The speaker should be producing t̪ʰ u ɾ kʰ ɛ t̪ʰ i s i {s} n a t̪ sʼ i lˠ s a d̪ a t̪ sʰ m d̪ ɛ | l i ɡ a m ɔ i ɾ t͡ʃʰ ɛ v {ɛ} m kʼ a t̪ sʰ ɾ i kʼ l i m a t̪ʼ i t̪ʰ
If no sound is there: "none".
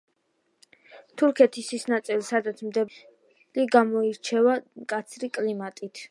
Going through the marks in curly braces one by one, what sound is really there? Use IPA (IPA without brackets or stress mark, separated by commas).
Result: s, a